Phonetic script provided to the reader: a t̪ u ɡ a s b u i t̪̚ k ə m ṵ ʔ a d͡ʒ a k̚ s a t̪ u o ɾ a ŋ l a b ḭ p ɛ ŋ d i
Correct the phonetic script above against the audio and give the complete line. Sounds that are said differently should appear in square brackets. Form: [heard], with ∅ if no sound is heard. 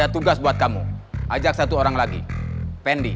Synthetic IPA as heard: a t̪ u ɡ a s b u [a] t̪̚ k [a] m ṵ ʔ a d͡ʒ a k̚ s a t̪ u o ɾ a ŋ l a [ɡ] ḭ p ɛ [n] d i

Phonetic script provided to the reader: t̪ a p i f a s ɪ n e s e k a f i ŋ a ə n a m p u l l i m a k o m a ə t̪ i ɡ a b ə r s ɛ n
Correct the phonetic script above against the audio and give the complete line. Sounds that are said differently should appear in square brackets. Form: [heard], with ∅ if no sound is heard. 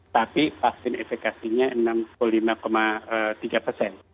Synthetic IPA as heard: t̪ a p i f a s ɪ n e [f] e k a [s] i [ɲ] a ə n a m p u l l i m a k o m a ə t̪ i ɡ a [p] ə r s ɛ n

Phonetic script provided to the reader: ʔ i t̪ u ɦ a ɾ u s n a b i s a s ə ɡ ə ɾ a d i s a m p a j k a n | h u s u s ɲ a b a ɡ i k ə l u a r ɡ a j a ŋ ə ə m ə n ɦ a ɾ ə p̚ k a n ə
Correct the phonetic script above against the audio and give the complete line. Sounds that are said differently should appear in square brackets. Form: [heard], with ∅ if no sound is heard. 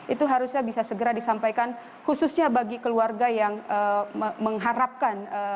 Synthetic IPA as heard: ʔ i t̪ u ɦ a ɾ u s [ɲ] a b i s a s ə ɡ ə ɾ a d i s a m p a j k a n | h u s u s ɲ a b a ɡ i k ə l u a r ɡ a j a ŋ ə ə m ə [ŋ] ɦ a ɾ [a] p̚ k a n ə

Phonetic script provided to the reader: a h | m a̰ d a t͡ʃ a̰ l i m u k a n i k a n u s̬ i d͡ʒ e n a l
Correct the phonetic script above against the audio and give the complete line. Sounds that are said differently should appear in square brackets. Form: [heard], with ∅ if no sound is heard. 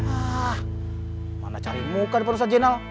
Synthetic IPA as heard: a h | m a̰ [n] a t͡ʃ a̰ [ɾ] i m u k a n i [p] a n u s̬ [a] d͡ʒ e n a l

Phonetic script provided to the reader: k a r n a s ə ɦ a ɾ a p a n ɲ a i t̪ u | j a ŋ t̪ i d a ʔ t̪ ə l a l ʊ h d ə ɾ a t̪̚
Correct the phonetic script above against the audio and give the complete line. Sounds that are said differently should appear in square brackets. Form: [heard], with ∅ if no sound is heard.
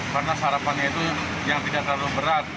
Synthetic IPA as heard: k a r n a s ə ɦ a ɾ a p a n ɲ a i t̪ u | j a ŋ t̪ i d a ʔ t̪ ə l a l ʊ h [b] ə ɾ a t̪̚

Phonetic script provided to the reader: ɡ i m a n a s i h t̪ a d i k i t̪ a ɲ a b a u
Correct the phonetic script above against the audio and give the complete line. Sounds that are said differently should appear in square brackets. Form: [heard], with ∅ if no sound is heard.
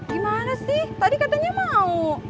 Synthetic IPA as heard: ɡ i m a n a s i h t̪ a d i k [a] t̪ a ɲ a [m] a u

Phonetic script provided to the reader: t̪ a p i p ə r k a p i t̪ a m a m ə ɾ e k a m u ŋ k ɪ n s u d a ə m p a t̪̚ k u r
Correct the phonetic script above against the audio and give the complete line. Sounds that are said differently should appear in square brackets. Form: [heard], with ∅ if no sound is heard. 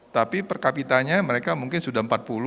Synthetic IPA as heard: t̪ a p i p ə r k a p i t̪ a [ɲ] a m ə ɾ e k a m u ŋ k ɪ n s u d a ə m p a t̪̚ [p] u [l]

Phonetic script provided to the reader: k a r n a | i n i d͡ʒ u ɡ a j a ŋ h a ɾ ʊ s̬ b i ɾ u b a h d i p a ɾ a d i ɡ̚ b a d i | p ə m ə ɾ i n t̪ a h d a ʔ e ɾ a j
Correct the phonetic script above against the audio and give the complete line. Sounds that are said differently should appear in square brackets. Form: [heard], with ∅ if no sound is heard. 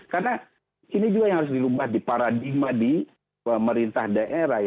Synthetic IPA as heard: k a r n a | i n i d͡ʒ u ɡ a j a ŋ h a ɾ ʊ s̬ [d] i ɾ u b a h d i p a ɾ a d i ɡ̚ [m] a d i | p ə m ə ɾ i n t̪ a h d a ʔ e ɾ a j

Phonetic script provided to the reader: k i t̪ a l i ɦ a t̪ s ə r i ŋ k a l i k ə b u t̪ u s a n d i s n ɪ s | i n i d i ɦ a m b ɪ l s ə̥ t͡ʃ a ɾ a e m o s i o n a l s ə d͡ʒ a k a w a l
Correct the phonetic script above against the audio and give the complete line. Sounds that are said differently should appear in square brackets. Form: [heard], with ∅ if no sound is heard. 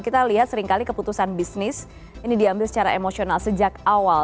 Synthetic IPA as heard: k i t̪ a l i ɦ a t̪ s ə [ɾ] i ŋ k a l i k ə [p] u t̪ u s a n [b] i s n ɪ s | i n i d i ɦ a m b ɪ l s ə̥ t͡ʃ a ɾ a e m o s i o n a l s ə d͡ʒ a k a w a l

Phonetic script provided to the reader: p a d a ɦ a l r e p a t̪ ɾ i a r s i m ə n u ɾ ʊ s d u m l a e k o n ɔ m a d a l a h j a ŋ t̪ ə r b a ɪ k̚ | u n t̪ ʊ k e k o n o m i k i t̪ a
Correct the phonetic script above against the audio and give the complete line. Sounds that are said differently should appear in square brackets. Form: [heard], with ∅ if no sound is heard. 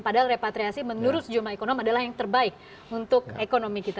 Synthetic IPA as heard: p a d a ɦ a l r e p a t̪ ɾ i a [∅] s i m ə n u ɾ ʊ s [d͡ʒ] u m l a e k o n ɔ m a d a l a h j a ŋ t̪ ə r b a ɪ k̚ | u n t̪ ʊ k e k o n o m i k i t̪ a

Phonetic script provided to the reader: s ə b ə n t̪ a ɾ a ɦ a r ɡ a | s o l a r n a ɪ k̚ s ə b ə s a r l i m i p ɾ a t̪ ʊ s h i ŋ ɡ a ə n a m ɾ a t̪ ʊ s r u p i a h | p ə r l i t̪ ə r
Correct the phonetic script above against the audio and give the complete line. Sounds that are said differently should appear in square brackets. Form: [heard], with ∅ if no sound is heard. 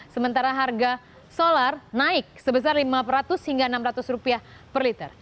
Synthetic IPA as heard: s ə [m] ə n t̪ a ɾ a ɦ a r ɡ a | s o l a r n a ɪ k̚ s ə b ə s a r l i m [a] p ɾ a t̪ ʊ s h i ŋ ɡ a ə n a m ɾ a t̪ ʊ s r u p i a h | p ə r l i t̪ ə r

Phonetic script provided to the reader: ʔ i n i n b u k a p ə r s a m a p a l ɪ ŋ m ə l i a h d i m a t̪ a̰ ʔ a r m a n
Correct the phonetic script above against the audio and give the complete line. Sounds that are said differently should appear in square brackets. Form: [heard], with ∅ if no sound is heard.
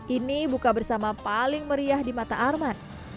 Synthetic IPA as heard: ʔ i n i [∅] b u k a [b] ə r s a m a p a l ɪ ŋ m ə [ɾ] i a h d i m a t̪ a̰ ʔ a r m a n

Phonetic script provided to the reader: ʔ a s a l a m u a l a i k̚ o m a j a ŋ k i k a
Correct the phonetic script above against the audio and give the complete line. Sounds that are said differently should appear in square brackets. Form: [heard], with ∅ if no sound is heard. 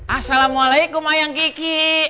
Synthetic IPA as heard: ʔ a s a l a m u a l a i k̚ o m a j a ŋ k i k [i]

